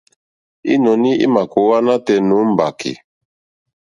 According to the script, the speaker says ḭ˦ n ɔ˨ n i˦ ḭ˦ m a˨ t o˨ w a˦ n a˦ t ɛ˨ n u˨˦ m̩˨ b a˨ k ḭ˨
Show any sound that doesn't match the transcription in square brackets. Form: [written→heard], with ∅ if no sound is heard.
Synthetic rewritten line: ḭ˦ n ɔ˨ n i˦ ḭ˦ m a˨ [t→k] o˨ w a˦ n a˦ t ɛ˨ n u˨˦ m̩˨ b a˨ k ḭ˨